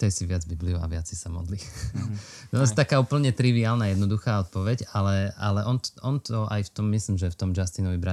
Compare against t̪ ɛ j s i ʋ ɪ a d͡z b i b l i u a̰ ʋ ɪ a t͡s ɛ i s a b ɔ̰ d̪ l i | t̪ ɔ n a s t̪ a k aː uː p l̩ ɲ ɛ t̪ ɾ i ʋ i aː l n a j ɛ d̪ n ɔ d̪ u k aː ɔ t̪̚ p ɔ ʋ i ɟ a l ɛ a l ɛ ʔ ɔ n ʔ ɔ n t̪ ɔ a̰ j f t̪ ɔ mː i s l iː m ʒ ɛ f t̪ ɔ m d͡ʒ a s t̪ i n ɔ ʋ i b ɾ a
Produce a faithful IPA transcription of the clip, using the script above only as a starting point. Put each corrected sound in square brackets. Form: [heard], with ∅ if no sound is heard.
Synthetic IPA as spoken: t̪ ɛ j s i ʋ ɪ a d͡z b i b l i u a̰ ʋ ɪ a t͡s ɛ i s a [m] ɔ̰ d̪ l i | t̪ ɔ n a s t̪ a k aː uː p l̩ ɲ ɛ t̪ ɾ i ʋ i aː l n a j ɛ d̪ n ɔ d̪ u [x] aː ɔ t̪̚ p ɔ ʋ [ɛ] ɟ a l ɛ a l ɛ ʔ ɔ n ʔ ɔ n t̪ ɔ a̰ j f t̪ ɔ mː i s l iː m ʒ ɛ f t̪ ɔ m d͡ʒ a s t̪ i n ɔ ʋ i b ɾ a